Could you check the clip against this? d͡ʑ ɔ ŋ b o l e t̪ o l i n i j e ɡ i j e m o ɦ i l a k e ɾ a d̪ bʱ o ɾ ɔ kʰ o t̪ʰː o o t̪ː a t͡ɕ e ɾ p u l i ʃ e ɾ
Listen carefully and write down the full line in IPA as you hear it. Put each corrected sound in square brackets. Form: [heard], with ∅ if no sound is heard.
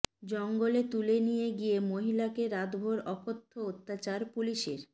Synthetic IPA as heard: d͡ʑ ɔ ŋ [ɡ] o l e t̪ [u] l [e] n i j e ɡ i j e m o ɦ i l a k e ɾ a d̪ bʱ o ɾ ɔ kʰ o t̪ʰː o o t̪ː a t͡ɕ [a] ɾ p u l i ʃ e ɾ

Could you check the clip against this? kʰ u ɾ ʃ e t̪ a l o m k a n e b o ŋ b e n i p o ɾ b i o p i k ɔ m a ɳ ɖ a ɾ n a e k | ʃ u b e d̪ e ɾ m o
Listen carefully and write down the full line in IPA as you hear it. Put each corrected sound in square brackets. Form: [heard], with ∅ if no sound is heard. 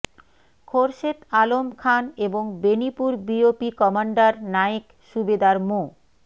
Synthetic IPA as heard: kʰ [o] ɾ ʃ e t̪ a l o m [kʰ] a n e b o ŋ b e n i p [u] ɾ b i o p i k ɔ m a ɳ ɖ a ɾ n a e k | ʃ u b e d̪ [a] ɾ m o

